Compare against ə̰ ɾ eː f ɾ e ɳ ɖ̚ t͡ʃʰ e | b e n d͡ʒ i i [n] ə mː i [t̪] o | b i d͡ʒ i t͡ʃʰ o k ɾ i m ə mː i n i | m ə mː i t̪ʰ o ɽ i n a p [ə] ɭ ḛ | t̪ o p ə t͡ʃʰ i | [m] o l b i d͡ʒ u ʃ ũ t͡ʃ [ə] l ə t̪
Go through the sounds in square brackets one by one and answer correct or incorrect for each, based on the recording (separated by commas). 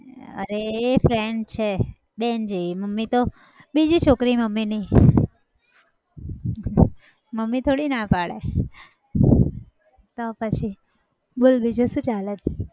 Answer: incorrect, correct, incorrect, incorrect, incorrect